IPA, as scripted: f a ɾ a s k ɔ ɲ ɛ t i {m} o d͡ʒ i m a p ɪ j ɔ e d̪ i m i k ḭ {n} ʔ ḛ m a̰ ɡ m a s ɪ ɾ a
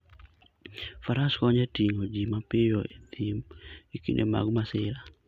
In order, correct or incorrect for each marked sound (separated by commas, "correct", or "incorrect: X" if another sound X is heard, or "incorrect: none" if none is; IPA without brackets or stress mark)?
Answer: incorrect: ŋ, correct